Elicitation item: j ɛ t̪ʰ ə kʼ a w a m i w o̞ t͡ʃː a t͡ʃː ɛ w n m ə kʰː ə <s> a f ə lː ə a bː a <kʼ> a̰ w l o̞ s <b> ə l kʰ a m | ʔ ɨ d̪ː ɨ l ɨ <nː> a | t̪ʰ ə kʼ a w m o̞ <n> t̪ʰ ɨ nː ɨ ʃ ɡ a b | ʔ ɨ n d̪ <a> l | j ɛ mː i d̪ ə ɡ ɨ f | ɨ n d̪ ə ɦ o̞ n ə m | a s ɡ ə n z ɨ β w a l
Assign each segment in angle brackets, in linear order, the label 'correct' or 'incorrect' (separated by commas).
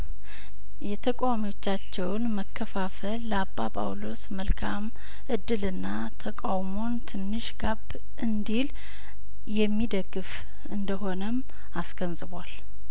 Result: incorrect, incorrect, incorrect, correct, correct, incorrect